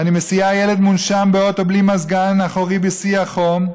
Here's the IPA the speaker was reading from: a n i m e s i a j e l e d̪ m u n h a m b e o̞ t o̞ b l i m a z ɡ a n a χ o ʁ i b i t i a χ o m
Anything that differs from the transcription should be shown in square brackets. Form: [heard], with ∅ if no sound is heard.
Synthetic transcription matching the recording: a n i m e s i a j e l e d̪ m u n [ʃ] a m b e o̞ t o̞ b l i m a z ɡ a n a χ o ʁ i b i [s] i a χ o m